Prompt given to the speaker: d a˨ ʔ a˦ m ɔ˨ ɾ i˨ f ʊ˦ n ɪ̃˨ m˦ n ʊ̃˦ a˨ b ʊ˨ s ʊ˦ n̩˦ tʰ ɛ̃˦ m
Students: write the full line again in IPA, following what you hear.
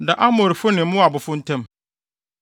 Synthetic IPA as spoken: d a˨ ʔ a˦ m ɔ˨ ɾ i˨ f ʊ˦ n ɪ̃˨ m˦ m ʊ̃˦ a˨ b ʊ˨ f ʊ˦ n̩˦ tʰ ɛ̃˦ m